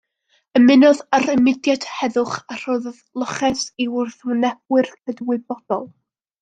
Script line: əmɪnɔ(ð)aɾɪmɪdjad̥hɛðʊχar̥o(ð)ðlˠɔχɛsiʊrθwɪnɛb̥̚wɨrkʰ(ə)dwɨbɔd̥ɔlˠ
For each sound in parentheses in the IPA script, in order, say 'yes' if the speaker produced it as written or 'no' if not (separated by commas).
yes, yes, yes